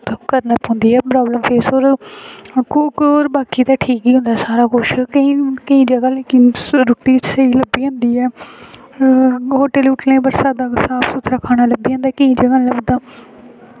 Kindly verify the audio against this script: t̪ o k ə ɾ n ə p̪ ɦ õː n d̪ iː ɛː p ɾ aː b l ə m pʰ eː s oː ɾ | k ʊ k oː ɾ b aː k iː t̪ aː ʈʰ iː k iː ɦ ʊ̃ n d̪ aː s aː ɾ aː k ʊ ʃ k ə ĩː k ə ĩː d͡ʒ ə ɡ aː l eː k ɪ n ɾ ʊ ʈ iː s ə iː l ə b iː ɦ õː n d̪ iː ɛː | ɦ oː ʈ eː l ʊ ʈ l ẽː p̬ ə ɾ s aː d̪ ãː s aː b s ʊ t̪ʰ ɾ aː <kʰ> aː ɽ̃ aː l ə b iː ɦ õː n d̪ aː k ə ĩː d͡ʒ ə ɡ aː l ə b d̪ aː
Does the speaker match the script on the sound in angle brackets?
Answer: yes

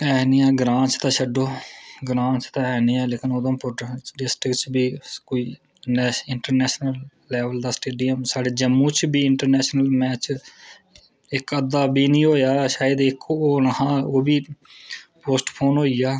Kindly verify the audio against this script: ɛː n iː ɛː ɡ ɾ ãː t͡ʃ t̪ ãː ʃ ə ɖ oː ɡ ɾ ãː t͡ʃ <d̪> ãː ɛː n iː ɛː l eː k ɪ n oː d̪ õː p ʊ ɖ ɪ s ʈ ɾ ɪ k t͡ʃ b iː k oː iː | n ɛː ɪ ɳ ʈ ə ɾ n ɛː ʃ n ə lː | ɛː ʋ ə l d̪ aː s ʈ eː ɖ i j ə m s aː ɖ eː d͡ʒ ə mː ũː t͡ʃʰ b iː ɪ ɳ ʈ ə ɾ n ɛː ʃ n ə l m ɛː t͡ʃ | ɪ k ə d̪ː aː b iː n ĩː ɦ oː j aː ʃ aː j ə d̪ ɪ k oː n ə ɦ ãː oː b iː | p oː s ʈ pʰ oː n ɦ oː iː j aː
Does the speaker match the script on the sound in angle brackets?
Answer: no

